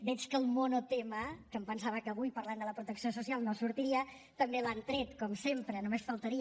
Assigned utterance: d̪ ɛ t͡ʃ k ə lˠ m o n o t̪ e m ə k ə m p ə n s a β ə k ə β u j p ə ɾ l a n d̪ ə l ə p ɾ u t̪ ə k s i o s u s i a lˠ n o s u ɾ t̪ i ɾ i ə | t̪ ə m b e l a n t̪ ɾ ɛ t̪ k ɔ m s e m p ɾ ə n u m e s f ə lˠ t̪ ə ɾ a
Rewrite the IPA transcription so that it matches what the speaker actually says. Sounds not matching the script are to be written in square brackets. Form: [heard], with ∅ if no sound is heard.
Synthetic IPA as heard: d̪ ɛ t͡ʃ k ə lˠ m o n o t̪ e m ə k ə m p ə n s a β ə k ə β u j p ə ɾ l a n d̪ ə l ə p ɾ u t̪ ə k s i o s u s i a lˠ n o s u ɾ t̪ i ɾ i ə | t̪ ə m b e l a n t̪ ɾ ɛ t̪ k ɔ m s e m p ɾ ə n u m e s f ə lˠ t̪ ə ɾ [i]